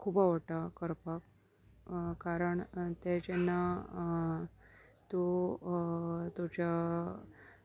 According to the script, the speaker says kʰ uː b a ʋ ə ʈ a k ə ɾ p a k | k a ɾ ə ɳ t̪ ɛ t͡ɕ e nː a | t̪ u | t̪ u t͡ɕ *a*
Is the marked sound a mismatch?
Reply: no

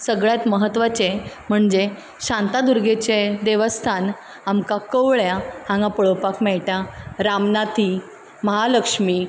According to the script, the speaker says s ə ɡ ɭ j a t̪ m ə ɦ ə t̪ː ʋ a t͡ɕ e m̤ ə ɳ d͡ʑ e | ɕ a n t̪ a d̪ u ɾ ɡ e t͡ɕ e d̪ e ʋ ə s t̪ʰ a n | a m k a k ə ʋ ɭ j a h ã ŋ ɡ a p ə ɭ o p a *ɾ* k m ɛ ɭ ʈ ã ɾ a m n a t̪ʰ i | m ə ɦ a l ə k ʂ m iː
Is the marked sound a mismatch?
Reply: yes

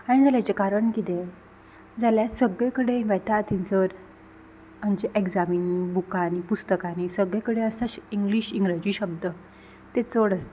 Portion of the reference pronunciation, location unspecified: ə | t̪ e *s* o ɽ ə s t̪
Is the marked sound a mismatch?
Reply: yes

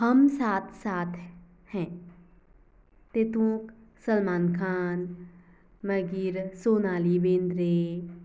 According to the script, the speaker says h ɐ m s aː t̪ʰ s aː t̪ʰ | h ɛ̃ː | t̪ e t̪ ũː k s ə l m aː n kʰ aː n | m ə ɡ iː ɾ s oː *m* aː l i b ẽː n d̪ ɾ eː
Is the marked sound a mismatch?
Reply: yes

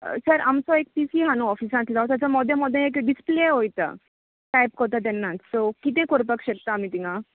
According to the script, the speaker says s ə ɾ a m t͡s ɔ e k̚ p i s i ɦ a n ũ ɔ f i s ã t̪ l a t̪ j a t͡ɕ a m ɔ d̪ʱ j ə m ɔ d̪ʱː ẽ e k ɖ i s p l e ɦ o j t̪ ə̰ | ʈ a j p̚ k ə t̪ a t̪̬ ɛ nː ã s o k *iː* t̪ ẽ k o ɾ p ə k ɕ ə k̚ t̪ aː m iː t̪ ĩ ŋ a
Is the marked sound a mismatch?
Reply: yes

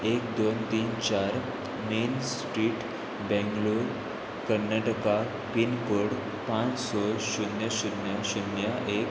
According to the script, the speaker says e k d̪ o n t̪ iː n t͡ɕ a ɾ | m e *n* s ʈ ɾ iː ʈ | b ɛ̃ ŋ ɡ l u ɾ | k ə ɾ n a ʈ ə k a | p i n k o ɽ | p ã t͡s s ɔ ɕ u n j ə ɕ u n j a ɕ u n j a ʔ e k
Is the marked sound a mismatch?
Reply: no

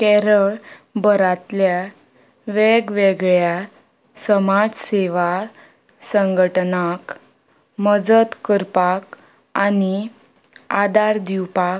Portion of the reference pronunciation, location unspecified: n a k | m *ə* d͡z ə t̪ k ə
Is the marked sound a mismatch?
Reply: no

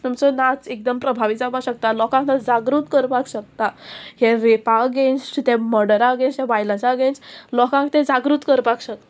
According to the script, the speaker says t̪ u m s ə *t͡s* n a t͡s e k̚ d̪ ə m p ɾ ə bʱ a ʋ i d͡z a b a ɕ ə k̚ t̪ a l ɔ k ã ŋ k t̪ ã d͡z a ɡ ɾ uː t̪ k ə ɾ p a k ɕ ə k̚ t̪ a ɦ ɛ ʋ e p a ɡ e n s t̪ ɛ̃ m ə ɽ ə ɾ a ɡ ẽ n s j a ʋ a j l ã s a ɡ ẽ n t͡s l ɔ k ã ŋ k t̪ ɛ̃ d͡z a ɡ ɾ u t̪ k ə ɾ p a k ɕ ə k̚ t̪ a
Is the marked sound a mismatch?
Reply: yes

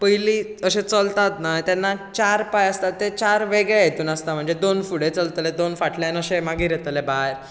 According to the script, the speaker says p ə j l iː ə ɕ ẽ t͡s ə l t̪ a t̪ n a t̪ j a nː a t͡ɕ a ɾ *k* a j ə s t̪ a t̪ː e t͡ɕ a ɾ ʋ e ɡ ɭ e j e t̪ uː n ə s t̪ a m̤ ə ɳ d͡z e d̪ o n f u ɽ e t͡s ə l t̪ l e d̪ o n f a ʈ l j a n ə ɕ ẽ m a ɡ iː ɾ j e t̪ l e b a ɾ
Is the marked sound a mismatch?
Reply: yes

